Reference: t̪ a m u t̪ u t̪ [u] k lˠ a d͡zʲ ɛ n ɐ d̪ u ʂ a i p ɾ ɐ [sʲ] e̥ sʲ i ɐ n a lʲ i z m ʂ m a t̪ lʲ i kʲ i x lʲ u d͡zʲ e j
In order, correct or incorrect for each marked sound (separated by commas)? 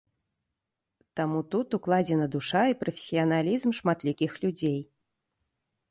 correct, incorrect